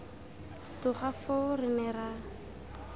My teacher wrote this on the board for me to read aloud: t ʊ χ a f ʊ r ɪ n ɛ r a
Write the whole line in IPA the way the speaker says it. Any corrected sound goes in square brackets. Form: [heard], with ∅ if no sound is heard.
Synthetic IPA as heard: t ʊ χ a f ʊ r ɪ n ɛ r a

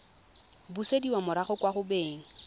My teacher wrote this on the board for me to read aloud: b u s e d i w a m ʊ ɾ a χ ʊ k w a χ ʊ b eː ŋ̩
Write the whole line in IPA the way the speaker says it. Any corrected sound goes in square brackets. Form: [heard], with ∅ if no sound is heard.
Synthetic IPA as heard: b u s e d i w a m ʊ ɾ a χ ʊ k w a χ ʊ b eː ŋ̩

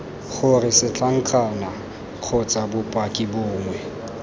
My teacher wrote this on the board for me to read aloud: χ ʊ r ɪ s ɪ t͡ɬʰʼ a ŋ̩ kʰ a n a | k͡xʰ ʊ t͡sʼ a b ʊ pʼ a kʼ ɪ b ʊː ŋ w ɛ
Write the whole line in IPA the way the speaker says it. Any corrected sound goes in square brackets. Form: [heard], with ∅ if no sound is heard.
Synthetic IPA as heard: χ ʊ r ɪ s ɪ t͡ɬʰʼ a ŋ̩ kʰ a n a | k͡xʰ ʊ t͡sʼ a b ʊ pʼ a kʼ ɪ b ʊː ŋ w ɛ

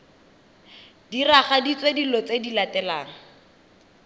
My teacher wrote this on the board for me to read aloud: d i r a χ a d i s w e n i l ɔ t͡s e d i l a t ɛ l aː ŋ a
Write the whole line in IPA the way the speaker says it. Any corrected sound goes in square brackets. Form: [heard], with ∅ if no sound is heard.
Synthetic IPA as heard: d i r a χ a d i [t͡s] w e [d] i l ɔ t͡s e d i l a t ɛ l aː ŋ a

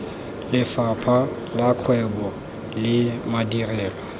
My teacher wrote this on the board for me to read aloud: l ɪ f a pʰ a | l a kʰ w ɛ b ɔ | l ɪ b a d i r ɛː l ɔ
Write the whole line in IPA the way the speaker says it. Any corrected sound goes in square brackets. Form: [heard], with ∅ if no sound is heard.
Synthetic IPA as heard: l ɪ f a pʰ a | l a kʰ w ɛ b ɔ | l ɪ [m] a d i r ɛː l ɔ

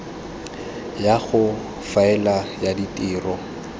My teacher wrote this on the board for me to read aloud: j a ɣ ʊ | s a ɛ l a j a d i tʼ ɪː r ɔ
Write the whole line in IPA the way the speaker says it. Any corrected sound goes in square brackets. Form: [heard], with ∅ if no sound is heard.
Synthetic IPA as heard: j a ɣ ʊ | [f] a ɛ l a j a d i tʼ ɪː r ɔ

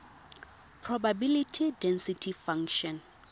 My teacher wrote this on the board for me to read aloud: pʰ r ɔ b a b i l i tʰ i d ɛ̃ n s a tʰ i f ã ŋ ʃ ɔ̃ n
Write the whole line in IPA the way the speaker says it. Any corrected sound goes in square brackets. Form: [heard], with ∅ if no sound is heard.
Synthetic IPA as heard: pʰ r ɔ b a b i l i tʰ i d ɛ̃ n s [i] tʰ i f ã ŋ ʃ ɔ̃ n

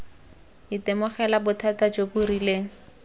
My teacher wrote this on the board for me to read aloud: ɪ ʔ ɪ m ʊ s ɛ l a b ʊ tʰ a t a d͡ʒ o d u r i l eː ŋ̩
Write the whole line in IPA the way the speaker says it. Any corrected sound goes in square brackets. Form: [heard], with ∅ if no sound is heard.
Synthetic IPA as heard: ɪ [t] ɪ m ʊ [χ] ɛ l a b ʊ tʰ a t a d͡ʒ o [b] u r i l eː ŋ̩

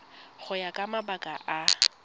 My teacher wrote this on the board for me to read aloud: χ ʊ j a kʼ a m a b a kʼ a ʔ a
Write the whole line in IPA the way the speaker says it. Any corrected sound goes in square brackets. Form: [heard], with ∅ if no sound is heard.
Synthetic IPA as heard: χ ʊ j a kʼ a m a b a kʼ a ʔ a

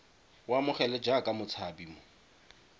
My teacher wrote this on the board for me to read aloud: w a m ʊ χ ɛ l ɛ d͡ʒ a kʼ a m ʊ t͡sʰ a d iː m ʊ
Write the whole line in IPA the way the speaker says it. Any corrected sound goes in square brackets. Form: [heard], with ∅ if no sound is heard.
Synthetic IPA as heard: w a m ʊ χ ɛ l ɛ d͡ʒ a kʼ a m ʊ t͡sʰ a [b] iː m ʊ

